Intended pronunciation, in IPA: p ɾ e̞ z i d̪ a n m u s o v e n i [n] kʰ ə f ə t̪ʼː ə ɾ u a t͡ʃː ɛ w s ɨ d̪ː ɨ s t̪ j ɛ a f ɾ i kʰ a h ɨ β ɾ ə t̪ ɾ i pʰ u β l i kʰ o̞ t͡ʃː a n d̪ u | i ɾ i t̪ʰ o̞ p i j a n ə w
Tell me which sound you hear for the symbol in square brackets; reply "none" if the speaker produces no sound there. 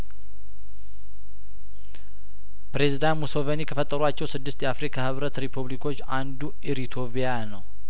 none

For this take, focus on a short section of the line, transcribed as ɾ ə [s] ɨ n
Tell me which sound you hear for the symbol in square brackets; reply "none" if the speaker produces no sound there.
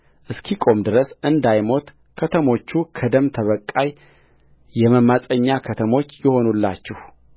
s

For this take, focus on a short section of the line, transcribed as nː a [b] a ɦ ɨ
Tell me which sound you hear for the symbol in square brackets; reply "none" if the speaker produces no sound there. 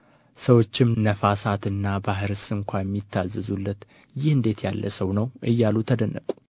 b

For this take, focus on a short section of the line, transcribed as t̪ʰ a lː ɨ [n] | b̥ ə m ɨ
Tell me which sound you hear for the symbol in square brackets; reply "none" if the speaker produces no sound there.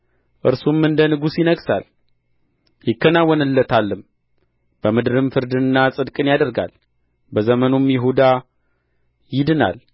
m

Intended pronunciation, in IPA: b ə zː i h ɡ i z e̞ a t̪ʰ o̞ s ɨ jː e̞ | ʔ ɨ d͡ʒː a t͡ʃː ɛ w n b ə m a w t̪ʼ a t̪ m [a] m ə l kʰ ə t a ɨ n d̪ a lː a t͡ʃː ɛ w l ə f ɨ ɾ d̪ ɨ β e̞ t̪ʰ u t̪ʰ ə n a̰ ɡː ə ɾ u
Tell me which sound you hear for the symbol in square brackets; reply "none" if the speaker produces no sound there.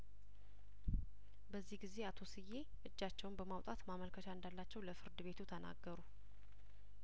a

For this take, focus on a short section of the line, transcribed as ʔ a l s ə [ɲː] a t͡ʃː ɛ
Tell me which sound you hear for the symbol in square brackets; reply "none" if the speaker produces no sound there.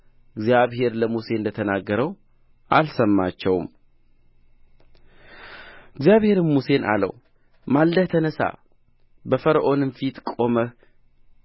mː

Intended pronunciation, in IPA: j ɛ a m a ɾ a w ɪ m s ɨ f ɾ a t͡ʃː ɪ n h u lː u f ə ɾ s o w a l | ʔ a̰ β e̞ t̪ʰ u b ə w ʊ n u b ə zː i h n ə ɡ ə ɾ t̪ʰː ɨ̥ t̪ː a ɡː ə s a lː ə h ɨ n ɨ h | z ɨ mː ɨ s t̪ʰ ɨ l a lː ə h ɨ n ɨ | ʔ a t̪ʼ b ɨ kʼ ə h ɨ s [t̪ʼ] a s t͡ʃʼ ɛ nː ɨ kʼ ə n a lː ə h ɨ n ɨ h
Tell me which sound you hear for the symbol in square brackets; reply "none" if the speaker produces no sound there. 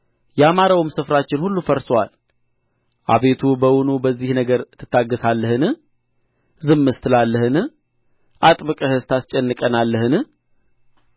t̪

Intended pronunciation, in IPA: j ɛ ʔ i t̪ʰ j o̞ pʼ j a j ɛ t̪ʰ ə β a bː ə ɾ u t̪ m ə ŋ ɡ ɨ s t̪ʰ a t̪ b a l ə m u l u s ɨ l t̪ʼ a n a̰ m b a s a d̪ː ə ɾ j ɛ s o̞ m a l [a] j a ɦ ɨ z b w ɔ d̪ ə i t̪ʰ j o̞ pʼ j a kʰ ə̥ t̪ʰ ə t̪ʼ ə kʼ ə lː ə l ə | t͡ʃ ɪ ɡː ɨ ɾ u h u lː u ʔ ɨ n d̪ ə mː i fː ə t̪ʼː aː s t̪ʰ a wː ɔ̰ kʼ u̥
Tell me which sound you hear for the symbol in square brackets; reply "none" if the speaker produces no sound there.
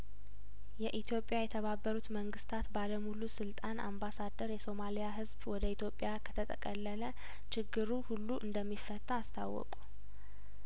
i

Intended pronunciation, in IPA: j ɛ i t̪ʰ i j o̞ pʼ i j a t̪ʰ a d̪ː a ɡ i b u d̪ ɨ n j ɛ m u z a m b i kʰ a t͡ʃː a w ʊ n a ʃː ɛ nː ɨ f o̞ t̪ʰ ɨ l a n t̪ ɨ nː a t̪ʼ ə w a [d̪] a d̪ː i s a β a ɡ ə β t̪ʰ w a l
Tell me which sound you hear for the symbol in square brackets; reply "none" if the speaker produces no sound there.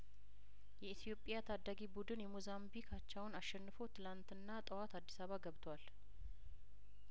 t̪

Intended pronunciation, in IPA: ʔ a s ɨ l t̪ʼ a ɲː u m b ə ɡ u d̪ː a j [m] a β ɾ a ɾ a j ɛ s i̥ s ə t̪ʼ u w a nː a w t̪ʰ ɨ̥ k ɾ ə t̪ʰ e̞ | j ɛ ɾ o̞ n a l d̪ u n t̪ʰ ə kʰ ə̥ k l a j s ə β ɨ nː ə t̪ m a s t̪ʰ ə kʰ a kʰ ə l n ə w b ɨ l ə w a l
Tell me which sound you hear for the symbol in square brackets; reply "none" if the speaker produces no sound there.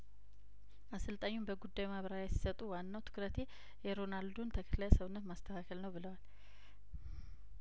m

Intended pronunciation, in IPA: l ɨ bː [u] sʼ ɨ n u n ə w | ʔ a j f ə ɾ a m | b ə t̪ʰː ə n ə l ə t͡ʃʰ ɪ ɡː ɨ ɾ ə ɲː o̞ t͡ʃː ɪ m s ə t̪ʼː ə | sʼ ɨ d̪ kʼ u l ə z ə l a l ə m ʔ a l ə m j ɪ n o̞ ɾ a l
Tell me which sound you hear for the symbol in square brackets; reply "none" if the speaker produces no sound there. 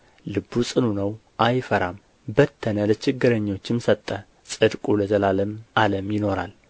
u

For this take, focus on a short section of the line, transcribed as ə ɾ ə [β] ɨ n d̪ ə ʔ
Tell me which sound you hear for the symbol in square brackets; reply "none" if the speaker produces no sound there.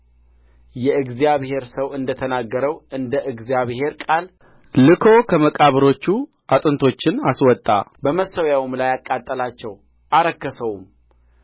w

